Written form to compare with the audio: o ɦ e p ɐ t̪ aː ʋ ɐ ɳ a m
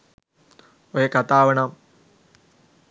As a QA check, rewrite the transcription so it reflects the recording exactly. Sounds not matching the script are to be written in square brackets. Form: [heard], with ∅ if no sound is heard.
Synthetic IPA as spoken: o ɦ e [k] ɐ t̪ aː ʋ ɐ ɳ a m